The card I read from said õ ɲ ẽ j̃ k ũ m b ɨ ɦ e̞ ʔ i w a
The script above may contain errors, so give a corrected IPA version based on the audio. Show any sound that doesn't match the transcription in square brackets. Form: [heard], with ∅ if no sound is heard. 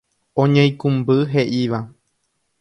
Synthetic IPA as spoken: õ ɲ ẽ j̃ k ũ m b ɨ ɦ e̞ ʔ i [ʋ] a